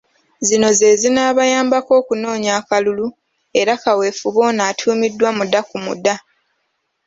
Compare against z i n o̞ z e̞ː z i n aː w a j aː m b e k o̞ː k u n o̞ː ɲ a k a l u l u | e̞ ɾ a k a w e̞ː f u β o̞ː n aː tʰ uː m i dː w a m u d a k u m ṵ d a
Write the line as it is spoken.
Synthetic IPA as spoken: z i n o̞ z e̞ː z i n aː β a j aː m b a k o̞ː k u n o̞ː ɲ a k a l u l u | e̞ ɾ a k a w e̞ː f u β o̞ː n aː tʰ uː m i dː w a m u d a k u m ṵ d a